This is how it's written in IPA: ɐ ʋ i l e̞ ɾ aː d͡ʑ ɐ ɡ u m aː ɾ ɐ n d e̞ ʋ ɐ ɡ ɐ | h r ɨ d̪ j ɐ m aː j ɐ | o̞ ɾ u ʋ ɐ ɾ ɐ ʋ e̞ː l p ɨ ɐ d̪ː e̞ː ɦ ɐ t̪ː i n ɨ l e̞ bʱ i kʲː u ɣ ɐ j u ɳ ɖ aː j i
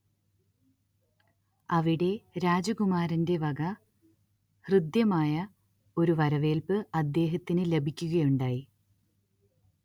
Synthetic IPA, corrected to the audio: ɐ ʋ i ɽ e̞ ɾ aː d͡ʑ ɐ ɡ u m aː ɾ ɐ n d e̞ ʋ ɐ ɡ ɐ | h r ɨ d̪ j ɐ m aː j ɐ | o̞ ɾ u ʋ ɐ ɾ ɐ ʋ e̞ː l p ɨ ɐ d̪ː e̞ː ɦ ɐ t̪ː i n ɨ l e̞ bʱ i kʲː u ɣ ɐ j u ɳ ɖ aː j i

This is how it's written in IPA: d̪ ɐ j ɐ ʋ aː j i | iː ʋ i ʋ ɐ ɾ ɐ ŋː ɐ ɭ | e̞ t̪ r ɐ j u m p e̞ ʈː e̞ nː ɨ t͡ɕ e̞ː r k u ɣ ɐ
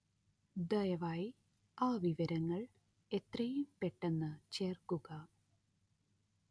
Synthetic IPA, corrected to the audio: d̪ ɐ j ɐ ʋ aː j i | aː ʋ i ʋ ɐ ɾ ɐ ŋː ɐ ɭ | e̞ t̪ r ɐ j u m p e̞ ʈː e̞ nː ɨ t͡ɕ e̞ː r k u ɣ ɐ

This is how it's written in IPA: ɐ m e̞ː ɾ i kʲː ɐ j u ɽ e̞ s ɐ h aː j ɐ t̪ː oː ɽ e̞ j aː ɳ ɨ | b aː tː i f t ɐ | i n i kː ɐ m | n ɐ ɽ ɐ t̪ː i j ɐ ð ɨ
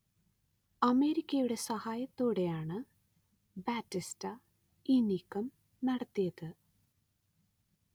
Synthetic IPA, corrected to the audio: ɐ m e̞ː ɾ i kʲː ɐ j u ɽ e̞ s ɐ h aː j ɐ t̪ː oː ɽ e̞ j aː ɳ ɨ | b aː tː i s t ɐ | i n i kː ɐ m | n ɐ ɽ ɐ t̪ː i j ɐ ð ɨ

